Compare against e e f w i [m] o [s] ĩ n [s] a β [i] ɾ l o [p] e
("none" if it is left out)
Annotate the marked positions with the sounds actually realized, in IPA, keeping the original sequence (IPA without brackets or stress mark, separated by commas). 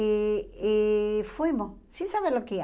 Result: m, s, s, e, k